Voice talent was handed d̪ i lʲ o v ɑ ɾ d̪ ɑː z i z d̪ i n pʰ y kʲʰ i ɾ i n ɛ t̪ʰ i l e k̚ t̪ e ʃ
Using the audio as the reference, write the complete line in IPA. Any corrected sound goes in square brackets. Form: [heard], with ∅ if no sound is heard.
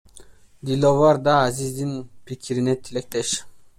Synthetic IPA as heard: d̪ i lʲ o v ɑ ɾ d̪ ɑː z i z d̪ i n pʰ [i] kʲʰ i ɾ i n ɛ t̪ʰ i l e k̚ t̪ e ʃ